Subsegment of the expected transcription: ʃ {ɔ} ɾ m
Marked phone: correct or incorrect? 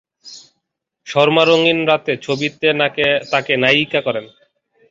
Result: correct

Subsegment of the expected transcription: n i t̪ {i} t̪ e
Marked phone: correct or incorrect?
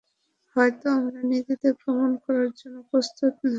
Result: correct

